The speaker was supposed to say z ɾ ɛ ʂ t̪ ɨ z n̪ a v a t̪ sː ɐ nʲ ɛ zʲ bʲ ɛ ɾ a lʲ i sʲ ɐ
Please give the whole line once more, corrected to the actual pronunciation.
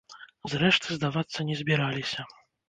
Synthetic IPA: z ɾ ɛ ʂ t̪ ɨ z d̪ a v a t̪ sː ɐ nʲ ɛ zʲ bʲ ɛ ɾ a lʲ i sʲ ɐ